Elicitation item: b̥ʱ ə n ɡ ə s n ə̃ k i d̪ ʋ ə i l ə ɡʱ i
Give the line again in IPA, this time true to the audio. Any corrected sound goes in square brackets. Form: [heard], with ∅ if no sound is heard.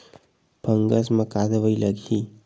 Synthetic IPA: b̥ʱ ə [ŋ] ɡ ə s [m] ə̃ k [a] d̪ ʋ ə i l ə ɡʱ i